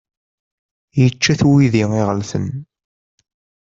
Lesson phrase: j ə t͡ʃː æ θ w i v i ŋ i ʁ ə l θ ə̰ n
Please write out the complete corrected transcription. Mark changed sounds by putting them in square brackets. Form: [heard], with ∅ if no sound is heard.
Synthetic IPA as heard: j ə t͡ʃː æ θ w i [ð] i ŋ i ʁ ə l θ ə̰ n

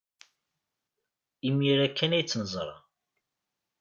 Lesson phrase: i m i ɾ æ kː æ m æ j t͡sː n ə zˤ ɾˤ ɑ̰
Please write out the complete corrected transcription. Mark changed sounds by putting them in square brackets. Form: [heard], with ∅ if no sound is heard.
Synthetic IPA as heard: i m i ɾ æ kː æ [n] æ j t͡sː n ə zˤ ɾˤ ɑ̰

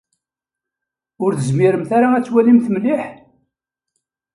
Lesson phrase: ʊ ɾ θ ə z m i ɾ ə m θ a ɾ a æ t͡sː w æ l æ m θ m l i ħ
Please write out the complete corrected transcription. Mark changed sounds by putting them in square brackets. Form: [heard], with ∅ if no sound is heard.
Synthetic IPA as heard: ʊ ɾ θ ə z m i ɾ ə m θ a ɾ a æ t͡sː w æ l [i] m θ m l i ħ

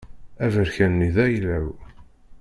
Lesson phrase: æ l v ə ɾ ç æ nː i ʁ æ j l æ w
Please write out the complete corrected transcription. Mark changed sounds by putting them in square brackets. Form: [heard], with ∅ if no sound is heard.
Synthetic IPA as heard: æ [∅] v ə ɾ ç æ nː i [ð] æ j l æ w

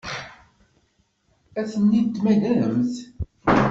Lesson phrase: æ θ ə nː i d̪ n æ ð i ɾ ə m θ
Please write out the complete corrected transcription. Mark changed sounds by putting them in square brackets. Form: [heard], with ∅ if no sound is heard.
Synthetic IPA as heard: æ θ ə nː i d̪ [m] æ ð [æ] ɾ ə m θ

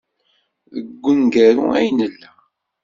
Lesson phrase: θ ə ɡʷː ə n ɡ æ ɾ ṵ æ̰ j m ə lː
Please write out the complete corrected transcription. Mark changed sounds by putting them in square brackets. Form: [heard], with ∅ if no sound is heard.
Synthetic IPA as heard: [ð] ə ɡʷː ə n ɡ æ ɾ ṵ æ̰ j [n] ə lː

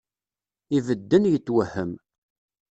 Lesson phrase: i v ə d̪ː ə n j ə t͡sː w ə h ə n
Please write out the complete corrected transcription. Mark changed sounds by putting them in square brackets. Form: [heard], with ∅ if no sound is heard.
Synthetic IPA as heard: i v ə d̪ː ə n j ə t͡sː w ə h ə [m]

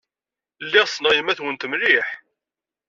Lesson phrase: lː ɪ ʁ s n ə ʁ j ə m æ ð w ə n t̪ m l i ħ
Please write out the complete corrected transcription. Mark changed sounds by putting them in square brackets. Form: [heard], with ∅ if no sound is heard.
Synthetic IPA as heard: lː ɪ ʁ s n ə ʁ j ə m æ [θ] w ə n t̪ m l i ħ

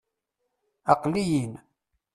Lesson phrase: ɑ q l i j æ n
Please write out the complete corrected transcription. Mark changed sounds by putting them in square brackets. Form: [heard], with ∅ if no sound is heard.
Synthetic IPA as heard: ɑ q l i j [i] n

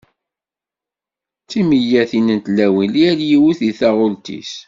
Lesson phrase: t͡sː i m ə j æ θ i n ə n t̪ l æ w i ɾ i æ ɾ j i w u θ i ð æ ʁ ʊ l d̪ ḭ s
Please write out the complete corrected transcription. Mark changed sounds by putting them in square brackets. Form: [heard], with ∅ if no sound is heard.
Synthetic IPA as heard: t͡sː i m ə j æ θ i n ə n t̪ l æ w i [l] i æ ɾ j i w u θ i [θ] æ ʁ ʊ l [t̪] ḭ s

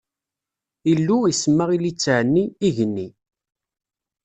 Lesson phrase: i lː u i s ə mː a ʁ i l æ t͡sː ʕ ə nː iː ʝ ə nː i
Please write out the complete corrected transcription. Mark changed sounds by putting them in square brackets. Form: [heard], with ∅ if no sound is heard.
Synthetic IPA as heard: i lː u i s ə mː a ʁ i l [i] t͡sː ʕ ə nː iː ʝ ə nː i

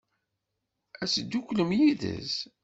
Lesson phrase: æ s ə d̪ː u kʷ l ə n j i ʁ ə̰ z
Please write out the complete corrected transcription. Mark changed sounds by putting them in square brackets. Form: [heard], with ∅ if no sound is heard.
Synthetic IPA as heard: æ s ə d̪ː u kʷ l ə [m] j i [ð] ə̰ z

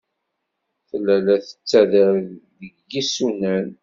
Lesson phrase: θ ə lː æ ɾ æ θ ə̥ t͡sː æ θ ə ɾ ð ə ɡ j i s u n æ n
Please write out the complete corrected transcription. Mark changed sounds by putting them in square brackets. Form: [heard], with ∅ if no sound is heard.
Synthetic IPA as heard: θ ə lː æ [l] æ θ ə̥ t͡sː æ [ð] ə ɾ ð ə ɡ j i s u n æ n

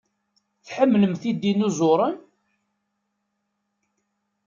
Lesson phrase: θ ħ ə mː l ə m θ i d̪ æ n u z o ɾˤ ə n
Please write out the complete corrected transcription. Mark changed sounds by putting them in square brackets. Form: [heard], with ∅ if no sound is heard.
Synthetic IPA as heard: θ ħ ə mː l ə m θ i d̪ [i] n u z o ɾˤ ə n

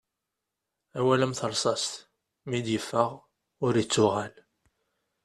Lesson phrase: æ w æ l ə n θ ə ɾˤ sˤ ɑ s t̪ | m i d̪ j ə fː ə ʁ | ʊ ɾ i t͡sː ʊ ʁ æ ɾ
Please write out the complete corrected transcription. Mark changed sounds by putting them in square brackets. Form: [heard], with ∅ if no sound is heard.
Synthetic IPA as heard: æ w æ l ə [m] θ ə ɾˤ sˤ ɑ s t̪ | m i d̪ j ə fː ə ʁ | ʊ ɾ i t͡sː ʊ ʁ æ [l]

